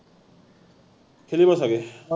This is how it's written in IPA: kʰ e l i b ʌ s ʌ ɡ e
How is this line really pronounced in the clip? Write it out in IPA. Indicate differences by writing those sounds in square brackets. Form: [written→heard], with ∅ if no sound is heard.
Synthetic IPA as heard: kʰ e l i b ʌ s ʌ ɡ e